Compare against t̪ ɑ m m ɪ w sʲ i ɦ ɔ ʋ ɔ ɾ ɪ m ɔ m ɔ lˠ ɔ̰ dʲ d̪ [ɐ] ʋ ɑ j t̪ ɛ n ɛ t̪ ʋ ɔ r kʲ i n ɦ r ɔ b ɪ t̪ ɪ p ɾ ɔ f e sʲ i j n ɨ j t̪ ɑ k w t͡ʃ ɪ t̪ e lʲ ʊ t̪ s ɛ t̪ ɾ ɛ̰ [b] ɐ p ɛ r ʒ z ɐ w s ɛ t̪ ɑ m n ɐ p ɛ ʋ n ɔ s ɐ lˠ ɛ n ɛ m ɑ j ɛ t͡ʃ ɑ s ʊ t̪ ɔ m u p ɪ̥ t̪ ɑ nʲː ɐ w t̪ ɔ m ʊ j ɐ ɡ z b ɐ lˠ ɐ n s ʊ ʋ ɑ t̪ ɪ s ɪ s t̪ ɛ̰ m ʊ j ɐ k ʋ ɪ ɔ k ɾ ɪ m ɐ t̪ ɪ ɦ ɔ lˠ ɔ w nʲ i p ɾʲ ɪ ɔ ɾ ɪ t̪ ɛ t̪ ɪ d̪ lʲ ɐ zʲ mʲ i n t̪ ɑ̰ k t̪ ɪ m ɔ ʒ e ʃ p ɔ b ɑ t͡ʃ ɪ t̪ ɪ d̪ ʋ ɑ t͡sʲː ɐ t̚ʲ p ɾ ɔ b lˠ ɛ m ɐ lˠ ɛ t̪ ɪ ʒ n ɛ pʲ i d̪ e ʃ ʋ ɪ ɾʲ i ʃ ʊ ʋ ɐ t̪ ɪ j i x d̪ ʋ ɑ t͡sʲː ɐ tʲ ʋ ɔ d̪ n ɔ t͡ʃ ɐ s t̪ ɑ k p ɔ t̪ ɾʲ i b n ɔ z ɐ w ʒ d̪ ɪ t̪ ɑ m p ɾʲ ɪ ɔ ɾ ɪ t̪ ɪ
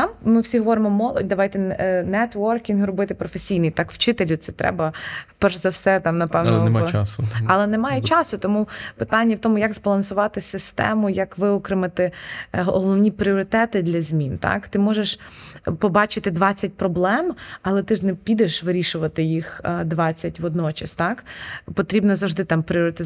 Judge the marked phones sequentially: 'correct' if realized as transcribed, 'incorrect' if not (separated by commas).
correct, correct